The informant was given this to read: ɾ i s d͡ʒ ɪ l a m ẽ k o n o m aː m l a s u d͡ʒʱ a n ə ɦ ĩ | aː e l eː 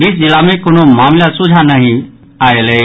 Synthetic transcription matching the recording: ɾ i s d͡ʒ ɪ l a m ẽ k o n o m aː m l a s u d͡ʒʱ a n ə ɦ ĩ | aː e l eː